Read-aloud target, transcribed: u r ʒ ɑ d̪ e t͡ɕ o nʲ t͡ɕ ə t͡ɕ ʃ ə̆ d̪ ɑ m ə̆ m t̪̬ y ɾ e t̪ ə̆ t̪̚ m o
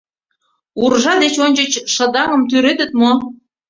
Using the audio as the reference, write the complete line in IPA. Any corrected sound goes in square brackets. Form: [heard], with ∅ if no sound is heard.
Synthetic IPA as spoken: u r ʒ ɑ d̪ e t͡ɕ o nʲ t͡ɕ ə t͡ɕ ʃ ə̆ d̪ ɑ [ŋ] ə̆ m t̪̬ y ɾ e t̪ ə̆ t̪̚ m o